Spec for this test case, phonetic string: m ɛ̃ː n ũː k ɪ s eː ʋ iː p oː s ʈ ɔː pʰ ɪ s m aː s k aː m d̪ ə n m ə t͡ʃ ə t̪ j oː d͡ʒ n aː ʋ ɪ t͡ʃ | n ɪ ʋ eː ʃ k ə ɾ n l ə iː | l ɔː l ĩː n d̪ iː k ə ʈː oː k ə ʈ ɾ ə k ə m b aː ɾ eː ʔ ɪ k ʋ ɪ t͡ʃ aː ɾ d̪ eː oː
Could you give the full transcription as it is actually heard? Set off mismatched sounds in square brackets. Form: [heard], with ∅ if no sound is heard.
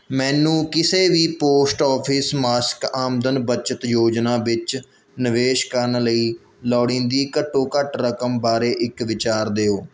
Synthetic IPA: m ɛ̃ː n ũː k ɪ s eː ʋ iː p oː s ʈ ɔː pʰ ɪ s m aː s k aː m d̪ ə n [b] ə t͡ʃ ə t̪ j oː d͡ʒ n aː ʋ ɪ t͡ʃ | n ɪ ʋ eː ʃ k ə ɾ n l ə iː | l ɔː [ɽ] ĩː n d̪ iː k ə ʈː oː k ə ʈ ɾ ə k ə m b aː ɾ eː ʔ ɪ k ʋ ɪ t͡ʃ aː ɾ d̪ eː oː

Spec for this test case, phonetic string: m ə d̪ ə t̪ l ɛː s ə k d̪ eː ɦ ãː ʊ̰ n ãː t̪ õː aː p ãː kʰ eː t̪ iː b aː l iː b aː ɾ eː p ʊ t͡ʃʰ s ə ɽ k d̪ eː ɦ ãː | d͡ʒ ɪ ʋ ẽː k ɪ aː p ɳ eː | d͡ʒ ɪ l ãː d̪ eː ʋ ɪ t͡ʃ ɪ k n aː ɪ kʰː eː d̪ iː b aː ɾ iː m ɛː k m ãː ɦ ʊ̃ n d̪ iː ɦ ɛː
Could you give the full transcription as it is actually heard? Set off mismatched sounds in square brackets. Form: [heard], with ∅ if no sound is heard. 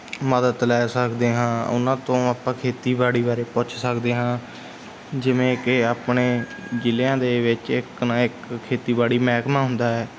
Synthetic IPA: m ə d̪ ə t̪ l ɛː s ə k d̪ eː ɦ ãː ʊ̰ n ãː t̪ õː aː p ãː kʰ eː t̪ iː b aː [ɽ] iː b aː ɾ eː p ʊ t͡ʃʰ s ə [∅] k d̪ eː ɦ ãː | d͡ʒ ɪ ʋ ẽː k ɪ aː p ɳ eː | d͡ʒ ɪ l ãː d̪ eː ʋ ɪ t͡ʃ ɪ k n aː ɪ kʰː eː [t̪] iː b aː [ɽ] iː m ɛː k m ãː ɦ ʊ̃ n d̪ [aː] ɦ ɛː

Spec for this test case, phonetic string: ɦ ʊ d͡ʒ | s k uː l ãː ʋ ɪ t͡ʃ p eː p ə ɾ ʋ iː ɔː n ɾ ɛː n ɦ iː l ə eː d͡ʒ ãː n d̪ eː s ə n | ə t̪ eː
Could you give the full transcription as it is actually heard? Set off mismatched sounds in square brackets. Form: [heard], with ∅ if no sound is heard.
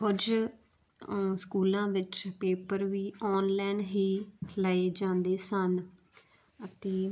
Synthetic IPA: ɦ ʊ d͡ʒ | s k uː l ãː ʋ ɪ t͡ʃ p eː p ə ɾ ʋ iː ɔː n [l] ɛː n ɦ iː l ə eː d͡ʒ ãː n d̪ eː s ə n | ə t̪ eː

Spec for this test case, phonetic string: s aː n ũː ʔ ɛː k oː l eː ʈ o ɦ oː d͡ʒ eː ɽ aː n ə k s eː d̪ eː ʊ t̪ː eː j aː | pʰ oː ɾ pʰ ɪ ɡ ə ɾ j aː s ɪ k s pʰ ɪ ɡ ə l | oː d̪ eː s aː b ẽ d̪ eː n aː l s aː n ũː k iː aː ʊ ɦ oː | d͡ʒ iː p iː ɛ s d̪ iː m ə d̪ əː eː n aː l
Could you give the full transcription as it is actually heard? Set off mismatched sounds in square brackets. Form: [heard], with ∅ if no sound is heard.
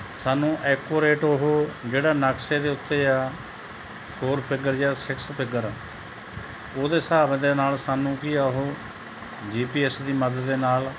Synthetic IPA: s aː n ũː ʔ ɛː k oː [ɾ] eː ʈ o ɦ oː d͡ʒ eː ɽ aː n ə k s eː d̪ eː ʊ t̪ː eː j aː | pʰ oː ɾ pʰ ɪ ɡ ə ɾ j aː s ɪ k s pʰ ɪ ɡ ə [ɾ] | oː d̪ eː s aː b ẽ d̪ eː n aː l s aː n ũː k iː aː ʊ ɦ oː | d͡ʒ iː p iː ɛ s d̪ iː m ə d̪ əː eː n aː l

